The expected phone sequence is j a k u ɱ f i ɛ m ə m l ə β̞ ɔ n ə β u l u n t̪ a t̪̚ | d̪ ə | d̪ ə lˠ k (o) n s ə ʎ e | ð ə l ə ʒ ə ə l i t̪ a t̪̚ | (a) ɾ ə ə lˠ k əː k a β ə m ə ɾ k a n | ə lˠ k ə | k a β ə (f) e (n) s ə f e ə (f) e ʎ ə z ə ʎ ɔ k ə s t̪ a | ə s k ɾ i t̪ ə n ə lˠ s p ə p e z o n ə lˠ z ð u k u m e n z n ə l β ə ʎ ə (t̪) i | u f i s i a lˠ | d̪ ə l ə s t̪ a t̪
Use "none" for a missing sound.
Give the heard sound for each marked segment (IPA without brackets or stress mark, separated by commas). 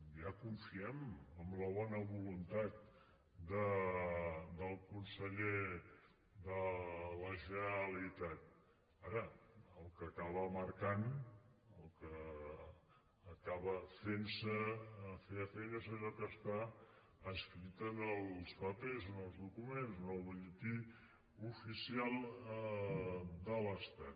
u, a, f, n, f, t̪